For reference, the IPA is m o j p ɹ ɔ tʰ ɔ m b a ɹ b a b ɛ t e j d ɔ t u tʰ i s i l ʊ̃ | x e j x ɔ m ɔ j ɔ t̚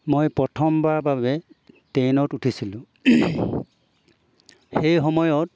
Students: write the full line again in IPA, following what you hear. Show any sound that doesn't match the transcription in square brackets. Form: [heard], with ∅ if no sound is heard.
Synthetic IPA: m o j p ɹ ɔ tʰ ɔ m b a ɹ b a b ɛ t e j [n] ɔ t u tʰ i s i l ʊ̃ | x e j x ɔ m ɔ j ɔ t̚